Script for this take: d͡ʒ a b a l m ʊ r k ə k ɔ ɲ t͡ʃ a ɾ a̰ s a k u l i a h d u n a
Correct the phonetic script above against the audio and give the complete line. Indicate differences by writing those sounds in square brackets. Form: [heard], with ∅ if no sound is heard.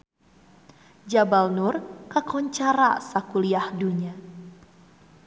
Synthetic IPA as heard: d͡ʒ a b a l [n] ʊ r k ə k ɔ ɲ t͡ʃ a ɾ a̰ s a k u l i a h d u [ɲ] a